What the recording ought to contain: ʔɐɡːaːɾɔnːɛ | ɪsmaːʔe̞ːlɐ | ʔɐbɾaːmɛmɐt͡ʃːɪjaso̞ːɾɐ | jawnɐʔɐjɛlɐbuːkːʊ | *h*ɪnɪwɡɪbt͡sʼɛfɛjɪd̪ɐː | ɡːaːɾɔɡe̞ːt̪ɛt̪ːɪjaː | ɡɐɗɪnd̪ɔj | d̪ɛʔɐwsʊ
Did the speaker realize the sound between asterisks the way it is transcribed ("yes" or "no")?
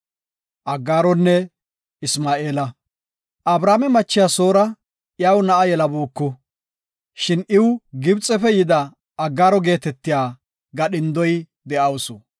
no